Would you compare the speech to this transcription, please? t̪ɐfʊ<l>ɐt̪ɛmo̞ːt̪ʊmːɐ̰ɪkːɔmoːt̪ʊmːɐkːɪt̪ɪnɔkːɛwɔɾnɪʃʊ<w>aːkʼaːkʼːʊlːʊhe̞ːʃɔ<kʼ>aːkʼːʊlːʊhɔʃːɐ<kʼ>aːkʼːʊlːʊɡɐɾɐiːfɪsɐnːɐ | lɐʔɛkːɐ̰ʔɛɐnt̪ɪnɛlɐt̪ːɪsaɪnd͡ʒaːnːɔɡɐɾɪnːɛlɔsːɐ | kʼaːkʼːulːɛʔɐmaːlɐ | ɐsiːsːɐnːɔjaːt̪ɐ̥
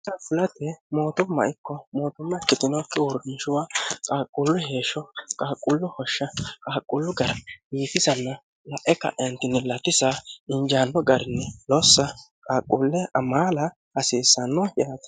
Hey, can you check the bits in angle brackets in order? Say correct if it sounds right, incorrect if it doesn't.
correct, correct, correct, correct

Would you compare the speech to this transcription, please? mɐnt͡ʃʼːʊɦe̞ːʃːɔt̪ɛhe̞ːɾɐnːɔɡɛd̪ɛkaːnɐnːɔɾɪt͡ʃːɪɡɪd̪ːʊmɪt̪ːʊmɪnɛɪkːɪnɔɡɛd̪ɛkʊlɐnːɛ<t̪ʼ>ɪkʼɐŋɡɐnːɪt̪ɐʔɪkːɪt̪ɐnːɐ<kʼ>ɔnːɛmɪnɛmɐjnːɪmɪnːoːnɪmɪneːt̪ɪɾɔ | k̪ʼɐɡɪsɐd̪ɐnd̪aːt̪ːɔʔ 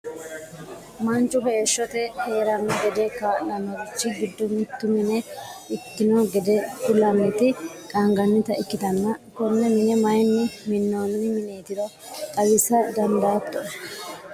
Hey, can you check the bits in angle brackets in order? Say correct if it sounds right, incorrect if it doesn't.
incorrect: t̪, incorrect: k

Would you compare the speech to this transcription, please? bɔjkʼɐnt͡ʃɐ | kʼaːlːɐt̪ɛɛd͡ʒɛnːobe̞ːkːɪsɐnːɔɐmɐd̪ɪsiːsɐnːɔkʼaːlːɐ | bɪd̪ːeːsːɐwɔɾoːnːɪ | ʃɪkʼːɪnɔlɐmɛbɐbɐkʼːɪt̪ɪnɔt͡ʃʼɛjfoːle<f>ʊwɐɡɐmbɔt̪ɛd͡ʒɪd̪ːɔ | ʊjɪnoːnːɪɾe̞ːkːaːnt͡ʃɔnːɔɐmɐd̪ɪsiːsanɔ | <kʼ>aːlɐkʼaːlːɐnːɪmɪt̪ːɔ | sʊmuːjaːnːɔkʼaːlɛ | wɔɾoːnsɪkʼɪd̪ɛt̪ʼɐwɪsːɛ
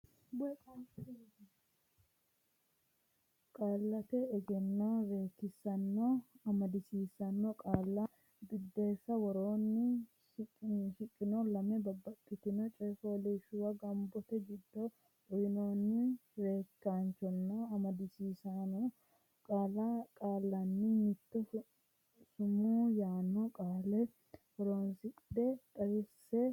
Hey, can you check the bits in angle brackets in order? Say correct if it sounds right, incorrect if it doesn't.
incorrect: ʃ, correct

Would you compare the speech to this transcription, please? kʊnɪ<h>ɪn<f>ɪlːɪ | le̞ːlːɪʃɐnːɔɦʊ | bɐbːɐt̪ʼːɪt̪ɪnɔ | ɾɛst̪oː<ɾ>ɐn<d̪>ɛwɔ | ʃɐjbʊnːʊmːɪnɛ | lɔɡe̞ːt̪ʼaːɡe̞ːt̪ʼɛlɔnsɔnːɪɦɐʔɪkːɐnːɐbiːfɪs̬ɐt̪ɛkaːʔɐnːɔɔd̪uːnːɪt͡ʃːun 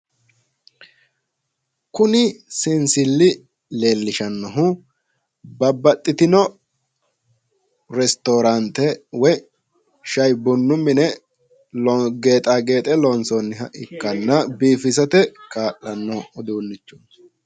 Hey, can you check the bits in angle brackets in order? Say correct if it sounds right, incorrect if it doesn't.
incorrect: s, incorrect: s, correct, incorrect: t̪

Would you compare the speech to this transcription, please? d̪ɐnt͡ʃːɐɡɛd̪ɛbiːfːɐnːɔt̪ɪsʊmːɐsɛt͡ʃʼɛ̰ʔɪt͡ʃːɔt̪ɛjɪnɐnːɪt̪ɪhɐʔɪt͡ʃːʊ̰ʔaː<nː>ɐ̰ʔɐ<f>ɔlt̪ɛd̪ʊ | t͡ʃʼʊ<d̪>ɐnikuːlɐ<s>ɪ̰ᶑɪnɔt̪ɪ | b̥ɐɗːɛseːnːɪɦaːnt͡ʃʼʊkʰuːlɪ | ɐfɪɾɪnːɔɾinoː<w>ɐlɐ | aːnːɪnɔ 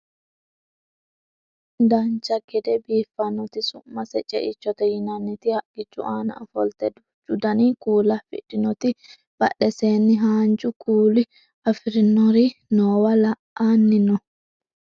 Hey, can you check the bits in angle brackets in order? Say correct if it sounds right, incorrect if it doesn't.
incorrect: n, correct, correct, incorrect: f, correct

